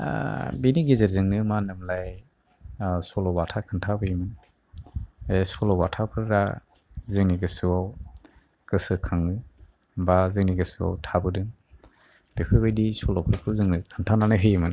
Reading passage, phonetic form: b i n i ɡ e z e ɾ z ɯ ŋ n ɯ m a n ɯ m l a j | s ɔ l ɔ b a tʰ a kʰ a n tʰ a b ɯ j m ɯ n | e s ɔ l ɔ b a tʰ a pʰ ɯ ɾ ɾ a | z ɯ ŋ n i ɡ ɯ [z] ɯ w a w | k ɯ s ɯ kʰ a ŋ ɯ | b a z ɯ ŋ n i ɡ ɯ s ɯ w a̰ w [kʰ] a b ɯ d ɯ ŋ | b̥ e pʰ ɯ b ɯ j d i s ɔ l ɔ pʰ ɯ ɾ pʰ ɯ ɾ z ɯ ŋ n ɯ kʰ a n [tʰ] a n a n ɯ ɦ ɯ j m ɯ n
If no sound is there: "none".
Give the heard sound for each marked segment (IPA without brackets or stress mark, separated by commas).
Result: s, tʰ, tʰ